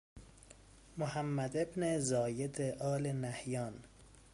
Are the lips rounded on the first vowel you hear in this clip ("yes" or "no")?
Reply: yes